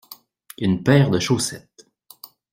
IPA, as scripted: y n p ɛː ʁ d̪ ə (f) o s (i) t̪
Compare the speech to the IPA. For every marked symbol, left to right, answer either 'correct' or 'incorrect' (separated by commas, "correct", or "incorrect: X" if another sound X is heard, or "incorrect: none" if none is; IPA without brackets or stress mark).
incorrect: ʃ, incorrect: ɛ